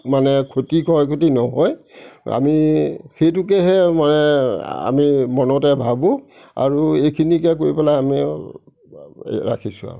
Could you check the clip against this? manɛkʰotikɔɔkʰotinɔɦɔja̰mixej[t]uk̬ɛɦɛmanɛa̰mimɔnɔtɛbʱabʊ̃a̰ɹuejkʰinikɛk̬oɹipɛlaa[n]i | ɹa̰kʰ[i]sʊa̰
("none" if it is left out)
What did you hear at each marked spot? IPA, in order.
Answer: t, m, i

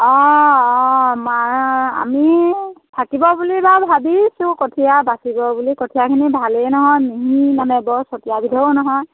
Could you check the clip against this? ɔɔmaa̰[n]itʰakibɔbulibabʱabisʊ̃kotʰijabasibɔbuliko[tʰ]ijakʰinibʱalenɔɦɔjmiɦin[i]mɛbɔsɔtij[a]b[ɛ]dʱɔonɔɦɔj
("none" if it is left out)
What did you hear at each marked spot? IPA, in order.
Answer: m, tʰ, a, a, i

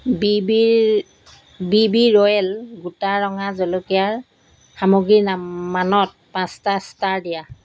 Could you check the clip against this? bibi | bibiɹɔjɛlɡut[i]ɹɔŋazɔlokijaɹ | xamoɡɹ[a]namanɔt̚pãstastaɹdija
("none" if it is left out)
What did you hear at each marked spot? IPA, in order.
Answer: a, i

